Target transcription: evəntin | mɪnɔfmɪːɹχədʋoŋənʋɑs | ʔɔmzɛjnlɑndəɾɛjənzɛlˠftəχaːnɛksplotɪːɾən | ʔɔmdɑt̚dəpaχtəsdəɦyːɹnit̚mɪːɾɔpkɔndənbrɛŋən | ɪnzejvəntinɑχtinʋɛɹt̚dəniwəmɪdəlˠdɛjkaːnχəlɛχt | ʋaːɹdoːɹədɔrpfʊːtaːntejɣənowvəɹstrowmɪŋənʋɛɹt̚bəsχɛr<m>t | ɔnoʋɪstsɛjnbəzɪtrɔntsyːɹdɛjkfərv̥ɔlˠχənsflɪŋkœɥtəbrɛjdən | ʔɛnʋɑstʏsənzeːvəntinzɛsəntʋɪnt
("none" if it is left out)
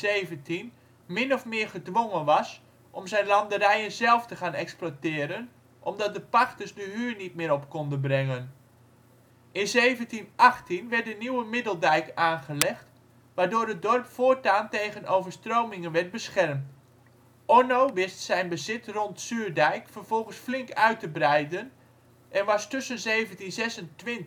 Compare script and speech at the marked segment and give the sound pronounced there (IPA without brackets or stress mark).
m